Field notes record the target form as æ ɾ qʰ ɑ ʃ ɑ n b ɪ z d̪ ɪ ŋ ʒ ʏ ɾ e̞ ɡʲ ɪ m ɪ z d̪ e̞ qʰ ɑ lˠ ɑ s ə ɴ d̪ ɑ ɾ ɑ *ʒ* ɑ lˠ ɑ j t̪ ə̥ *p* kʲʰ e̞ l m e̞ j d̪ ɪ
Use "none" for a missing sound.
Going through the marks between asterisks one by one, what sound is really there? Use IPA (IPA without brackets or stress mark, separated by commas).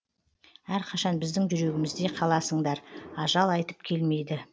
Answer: ʒ, p